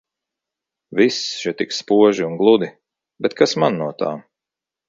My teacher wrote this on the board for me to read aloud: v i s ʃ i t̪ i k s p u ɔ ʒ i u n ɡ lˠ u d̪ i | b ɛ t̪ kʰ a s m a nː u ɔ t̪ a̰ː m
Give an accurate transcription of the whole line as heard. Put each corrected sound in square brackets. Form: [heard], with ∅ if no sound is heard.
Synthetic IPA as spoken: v i s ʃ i t̪ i k s p u ɔ ʒ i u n ɡ lˠ u d̪ i | b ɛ t̪ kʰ a s m a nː u ɔ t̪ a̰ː m